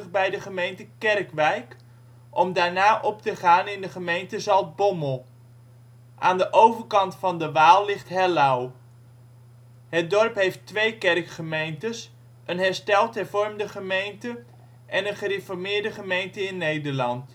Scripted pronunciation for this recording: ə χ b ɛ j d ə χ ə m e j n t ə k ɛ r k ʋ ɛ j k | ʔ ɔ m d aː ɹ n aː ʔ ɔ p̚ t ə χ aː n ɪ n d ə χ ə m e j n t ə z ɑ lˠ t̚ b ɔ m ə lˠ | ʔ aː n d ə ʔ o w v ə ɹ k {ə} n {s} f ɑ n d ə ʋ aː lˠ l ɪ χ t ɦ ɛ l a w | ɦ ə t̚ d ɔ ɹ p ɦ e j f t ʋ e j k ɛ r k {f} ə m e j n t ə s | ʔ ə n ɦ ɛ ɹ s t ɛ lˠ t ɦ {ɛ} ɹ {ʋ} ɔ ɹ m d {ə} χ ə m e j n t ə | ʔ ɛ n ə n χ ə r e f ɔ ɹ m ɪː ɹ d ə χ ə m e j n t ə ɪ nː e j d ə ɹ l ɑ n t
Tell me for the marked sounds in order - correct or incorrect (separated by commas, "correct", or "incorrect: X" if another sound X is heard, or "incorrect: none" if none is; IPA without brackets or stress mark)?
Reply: incorrect: ɑ, incorrect: t, incorrect: χ, correct, incorrect: v, correct